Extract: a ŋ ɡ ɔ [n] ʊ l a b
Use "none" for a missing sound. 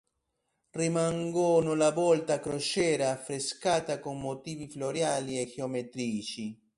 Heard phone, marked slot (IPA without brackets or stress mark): n